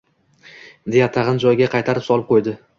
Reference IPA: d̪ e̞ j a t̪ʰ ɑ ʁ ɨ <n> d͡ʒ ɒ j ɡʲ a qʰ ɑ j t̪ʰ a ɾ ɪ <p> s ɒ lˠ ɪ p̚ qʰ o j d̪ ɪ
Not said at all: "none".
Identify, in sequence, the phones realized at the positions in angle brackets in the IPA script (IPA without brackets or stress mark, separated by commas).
n, p